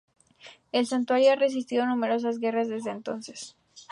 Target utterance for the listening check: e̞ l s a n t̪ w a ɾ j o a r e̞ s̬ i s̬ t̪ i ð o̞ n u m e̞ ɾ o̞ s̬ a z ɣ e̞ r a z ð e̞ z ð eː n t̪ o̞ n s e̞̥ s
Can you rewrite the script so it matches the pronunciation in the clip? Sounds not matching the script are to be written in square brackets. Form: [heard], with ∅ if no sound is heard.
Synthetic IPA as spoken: e̞ l s a n t̪ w a ɾ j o a r e̞ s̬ i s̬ t̪ i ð o̞ n u m e̞ ɾ o̞ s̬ a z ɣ e̞ r a z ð e̞ z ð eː n t̪ o̞ n s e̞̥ s